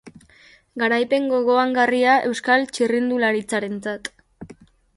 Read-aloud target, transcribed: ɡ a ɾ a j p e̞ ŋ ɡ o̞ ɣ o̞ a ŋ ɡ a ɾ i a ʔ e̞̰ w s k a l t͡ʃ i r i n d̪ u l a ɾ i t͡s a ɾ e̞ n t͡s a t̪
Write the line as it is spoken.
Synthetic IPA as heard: ɡ a ɾ a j p e̞ ŋ ɡ o̞ ɣ o̞ a ŋ ɡ a r i a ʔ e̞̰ w s k a l t͡ʃ i r i n d̪ u l a ɾ i t͡s a ɾ e̞ n t͡s a t̪